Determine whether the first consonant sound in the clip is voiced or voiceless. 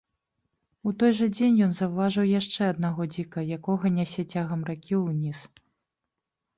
voiceless